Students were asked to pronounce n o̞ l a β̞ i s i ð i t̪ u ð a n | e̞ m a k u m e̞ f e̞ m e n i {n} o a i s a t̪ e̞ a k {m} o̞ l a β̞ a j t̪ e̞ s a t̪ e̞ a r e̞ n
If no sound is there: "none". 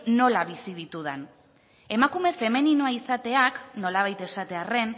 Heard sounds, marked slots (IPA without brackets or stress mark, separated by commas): n, n